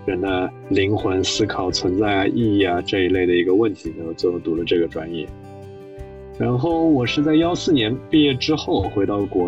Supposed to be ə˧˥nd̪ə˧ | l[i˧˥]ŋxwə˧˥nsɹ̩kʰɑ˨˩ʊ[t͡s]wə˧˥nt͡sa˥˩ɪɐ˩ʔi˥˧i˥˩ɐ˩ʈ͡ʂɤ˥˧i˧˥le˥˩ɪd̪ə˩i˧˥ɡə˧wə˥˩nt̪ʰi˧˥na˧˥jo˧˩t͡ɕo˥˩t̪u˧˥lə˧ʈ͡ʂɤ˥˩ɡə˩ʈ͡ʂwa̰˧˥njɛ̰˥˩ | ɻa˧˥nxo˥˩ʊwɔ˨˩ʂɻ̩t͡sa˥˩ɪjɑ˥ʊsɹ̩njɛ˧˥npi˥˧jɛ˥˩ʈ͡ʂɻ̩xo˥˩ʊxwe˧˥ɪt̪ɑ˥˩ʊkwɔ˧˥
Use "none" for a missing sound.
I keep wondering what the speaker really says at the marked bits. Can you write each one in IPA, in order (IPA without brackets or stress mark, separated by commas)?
i˧˥, t͡sʰ